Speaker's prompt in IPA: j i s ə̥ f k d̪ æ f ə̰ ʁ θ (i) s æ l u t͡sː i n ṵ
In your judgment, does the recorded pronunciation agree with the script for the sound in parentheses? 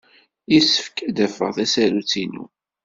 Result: no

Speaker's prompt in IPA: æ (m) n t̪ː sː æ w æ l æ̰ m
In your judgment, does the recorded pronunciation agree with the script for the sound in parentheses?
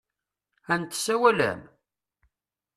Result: no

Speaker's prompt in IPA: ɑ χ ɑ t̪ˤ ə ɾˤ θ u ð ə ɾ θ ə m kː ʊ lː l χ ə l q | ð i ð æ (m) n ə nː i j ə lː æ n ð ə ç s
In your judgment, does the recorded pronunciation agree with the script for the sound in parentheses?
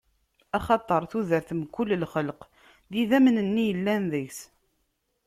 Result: yes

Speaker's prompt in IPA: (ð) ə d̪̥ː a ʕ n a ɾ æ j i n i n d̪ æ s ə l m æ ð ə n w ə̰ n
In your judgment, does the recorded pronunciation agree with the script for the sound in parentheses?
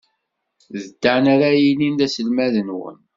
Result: yes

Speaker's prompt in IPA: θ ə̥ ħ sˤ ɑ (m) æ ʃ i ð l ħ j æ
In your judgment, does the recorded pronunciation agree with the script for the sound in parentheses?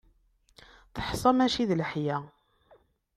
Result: yes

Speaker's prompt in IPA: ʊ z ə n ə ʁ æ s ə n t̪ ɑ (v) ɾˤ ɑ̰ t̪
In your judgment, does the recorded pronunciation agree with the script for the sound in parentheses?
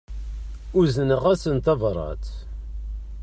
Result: yes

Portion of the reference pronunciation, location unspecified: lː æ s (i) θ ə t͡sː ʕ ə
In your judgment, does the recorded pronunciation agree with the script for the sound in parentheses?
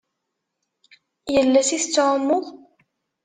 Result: yes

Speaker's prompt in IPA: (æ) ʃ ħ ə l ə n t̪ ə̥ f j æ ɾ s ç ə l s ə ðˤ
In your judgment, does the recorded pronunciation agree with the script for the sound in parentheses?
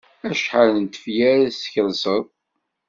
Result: yes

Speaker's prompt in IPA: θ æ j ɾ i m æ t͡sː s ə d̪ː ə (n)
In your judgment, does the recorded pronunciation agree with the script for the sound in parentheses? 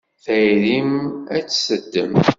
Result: no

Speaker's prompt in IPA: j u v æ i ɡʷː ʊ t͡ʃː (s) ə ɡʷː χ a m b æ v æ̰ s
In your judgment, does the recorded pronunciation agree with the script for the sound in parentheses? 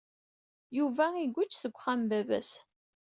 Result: no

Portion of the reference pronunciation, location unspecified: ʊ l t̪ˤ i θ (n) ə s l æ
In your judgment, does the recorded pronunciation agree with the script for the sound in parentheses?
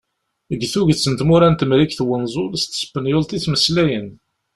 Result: no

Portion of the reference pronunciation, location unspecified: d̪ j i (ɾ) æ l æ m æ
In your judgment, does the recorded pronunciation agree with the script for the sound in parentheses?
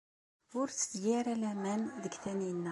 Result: yes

